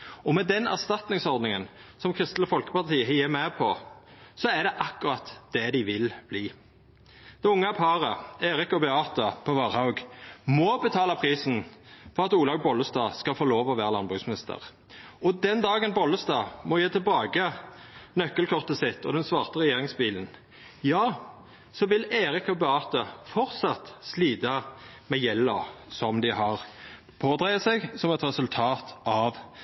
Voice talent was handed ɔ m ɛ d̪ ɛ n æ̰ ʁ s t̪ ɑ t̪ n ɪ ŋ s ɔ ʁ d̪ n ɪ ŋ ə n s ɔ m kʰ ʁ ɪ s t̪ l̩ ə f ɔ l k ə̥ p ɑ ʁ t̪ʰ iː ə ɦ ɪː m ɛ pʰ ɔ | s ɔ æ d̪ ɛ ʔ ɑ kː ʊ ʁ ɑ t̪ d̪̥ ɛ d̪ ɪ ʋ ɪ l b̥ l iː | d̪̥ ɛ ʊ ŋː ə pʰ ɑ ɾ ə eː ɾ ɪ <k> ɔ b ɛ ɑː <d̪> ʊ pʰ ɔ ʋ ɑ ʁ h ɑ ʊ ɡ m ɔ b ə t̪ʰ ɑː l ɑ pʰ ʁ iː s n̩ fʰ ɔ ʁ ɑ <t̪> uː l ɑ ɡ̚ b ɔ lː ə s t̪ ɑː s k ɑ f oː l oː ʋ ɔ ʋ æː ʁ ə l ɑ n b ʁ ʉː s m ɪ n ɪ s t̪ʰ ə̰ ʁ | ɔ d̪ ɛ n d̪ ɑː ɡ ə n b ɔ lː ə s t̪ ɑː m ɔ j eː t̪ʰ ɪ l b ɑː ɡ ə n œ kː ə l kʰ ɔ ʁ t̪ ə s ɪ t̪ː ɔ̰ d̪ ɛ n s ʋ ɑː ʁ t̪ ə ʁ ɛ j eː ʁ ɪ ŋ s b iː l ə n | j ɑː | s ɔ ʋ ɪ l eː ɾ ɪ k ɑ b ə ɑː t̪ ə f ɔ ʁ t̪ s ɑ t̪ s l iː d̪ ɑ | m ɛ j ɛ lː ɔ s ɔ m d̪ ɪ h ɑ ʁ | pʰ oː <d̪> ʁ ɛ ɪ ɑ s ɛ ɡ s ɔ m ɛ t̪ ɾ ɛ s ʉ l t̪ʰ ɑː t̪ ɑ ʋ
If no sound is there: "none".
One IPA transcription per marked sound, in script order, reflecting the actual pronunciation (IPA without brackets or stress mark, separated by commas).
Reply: k, t̪, t̪, d̪